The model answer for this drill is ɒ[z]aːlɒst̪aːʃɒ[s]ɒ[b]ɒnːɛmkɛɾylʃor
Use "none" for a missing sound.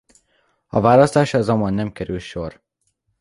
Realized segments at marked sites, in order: v, z, m

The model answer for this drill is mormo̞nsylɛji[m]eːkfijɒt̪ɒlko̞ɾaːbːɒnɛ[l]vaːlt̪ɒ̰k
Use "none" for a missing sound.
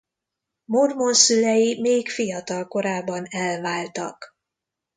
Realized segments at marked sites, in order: m, l

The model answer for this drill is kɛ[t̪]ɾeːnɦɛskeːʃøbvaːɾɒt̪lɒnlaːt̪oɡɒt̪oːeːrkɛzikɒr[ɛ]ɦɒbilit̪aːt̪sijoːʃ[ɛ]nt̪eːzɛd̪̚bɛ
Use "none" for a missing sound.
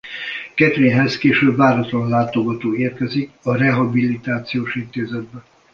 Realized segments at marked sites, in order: t̪, ɛ, i

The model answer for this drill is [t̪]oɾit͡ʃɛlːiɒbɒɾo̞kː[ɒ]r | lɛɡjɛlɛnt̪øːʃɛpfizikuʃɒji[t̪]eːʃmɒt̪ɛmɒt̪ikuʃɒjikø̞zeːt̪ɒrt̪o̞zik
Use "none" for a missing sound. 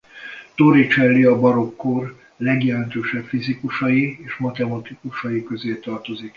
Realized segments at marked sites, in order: t̪, o, none

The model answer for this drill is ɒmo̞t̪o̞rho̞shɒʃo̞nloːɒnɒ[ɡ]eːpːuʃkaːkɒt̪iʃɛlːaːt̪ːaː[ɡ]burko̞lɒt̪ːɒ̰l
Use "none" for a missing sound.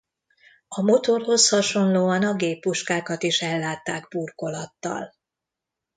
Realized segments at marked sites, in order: ɡ, ɡ

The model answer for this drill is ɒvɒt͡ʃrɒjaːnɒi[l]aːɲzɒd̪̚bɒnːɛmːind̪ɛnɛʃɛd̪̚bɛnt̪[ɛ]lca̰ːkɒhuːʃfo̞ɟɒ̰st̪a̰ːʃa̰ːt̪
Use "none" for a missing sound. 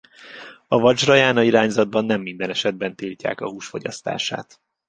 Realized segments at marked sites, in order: ɾ, i

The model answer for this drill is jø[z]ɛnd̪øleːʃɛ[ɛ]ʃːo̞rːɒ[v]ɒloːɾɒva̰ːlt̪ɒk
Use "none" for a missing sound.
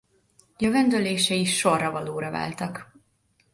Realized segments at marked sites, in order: v, i, v

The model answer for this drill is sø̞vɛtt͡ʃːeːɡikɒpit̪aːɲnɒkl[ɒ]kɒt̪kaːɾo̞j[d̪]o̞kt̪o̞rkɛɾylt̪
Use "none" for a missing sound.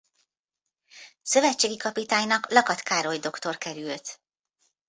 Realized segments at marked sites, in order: ɒ, d̪

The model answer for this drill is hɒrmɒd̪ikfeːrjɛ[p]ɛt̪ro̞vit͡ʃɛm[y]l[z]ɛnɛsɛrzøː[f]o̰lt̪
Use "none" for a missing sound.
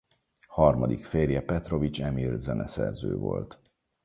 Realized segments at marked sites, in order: p, i, z, v

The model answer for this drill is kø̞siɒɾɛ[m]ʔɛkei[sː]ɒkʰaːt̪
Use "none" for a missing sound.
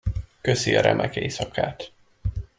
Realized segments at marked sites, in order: m, s

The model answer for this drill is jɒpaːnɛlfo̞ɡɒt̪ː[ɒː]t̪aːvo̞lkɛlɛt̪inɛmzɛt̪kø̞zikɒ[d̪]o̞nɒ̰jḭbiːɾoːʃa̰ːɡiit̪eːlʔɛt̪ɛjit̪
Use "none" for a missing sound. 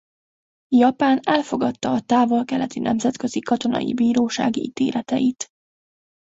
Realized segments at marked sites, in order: ɒː, t̪

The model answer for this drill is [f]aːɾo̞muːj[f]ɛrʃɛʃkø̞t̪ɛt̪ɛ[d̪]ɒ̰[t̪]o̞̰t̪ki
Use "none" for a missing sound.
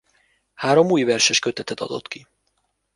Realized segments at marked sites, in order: h, v, t̪, d̪

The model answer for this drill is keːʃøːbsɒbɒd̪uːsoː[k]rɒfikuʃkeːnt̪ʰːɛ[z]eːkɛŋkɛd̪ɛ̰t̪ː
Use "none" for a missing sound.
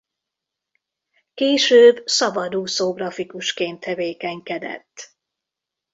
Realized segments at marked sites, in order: ɡ, v

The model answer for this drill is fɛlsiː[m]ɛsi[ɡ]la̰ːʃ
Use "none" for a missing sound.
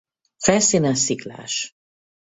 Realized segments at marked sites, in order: n, k

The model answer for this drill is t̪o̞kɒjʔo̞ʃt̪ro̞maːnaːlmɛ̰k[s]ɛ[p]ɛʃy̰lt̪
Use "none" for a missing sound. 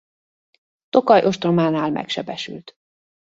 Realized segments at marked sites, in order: ʃ, b

